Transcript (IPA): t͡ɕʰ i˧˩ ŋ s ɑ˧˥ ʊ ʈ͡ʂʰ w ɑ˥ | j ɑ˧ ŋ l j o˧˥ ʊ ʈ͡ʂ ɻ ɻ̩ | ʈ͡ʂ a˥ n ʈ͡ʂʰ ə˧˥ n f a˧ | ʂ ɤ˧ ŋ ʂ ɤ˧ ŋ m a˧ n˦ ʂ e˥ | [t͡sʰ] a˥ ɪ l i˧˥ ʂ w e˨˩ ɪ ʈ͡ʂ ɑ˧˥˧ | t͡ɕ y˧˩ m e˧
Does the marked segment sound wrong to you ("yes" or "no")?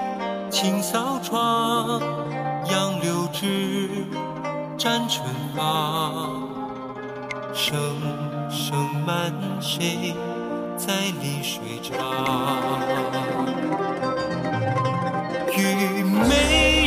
yes